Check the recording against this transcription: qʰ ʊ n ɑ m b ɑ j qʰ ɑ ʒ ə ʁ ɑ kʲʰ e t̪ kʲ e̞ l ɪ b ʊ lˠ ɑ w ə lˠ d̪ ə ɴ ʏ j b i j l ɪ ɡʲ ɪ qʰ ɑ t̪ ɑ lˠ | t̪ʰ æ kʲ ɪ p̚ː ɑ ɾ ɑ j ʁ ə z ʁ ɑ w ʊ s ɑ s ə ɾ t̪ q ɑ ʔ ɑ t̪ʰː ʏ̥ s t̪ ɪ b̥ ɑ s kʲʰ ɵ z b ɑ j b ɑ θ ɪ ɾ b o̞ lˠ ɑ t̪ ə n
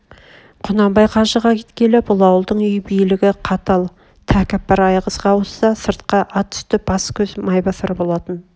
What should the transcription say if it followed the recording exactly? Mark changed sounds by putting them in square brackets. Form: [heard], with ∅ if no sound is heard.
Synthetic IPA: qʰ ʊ n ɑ m b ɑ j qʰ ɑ ʒ ə ʁ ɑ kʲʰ e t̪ kʲ e̞ l ɪ b ʊ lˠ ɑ w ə lˠ d̪ ə ɴ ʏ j b i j l ɪ ɡʲ ɪ qʰ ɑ t̪ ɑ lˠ | t̪ʰ æ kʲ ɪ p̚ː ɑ ɾ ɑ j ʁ ə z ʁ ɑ w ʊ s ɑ s ə ɾ t̪ q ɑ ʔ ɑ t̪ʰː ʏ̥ s t̪ ɪ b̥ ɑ s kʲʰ ɵ z [m] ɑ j b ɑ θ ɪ ɾ b o̞ lˠ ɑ t̪ ə n